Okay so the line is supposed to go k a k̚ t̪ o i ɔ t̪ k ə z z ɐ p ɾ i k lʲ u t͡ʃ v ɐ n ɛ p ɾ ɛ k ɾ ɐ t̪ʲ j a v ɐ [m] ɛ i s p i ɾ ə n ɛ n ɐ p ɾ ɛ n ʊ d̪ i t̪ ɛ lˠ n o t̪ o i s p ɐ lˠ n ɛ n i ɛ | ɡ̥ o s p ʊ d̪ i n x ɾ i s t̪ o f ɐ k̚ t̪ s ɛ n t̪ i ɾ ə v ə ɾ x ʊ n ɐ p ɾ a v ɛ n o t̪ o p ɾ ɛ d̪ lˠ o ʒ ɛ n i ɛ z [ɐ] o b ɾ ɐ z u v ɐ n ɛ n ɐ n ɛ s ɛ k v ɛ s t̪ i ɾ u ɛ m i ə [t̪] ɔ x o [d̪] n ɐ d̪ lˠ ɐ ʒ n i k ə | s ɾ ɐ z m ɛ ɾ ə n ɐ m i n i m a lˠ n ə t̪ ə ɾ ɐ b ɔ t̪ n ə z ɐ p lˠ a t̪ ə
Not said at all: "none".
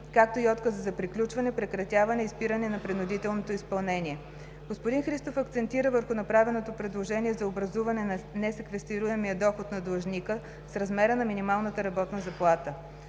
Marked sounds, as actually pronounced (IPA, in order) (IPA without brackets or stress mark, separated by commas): n, ɐ, d̪, t̪